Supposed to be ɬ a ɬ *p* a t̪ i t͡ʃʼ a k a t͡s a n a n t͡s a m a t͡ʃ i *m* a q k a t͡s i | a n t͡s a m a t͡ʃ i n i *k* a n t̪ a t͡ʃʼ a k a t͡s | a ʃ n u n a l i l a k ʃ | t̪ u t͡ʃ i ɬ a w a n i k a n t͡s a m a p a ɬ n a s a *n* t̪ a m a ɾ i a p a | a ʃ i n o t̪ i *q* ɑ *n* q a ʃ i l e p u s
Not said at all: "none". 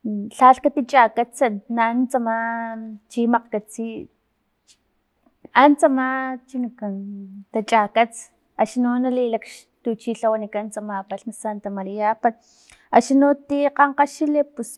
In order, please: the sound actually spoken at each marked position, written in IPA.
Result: k, m, k, n, q, ɴ

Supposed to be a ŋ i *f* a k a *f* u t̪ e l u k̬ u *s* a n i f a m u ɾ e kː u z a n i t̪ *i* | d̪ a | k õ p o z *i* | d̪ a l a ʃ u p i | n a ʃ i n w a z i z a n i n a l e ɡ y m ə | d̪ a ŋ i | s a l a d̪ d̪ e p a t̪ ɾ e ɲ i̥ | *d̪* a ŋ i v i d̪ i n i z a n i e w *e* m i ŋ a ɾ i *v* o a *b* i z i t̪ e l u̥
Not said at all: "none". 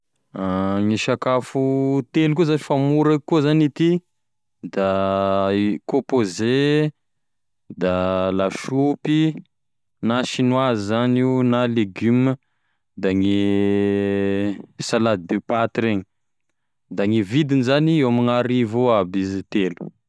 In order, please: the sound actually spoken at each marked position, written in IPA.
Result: ʃ, f, z, i, e, d̪, a, v, b

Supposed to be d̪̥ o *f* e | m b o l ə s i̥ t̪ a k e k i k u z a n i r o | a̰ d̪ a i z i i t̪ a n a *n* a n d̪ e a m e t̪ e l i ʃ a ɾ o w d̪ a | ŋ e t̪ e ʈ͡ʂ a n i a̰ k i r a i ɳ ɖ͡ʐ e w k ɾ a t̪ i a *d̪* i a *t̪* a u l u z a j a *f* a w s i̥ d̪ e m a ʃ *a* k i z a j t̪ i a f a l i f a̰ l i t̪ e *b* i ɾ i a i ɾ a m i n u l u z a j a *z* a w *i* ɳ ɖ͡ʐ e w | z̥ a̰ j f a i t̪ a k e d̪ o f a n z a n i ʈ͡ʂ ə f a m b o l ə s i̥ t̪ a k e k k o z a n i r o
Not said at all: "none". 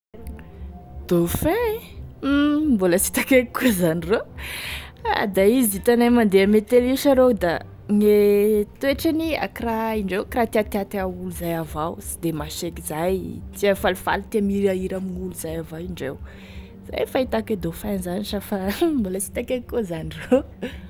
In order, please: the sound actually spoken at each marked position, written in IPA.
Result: f, m, t̪, t̪, v, e, m, v, i

